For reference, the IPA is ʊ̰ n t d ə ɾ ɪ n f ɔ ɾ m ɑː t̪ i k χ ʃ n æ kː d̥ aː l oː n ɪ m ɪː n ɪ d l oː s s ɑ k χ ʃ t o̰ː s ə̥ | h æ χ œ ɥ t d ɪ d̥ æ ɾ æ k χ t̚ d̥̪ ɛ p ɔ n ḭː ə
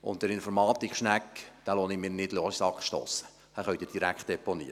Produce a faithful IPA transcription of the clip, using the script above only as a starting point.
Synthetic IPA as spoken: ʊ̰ n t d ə ɾ ɪ n f ɔ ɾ m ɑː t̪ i k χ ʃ n æ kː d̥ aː l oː n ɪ m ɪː n ɪ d l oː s s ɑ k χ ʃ t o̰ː s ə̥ | h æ χ œ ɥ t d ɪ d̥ i ɾ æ k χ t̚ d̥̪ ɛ p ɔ n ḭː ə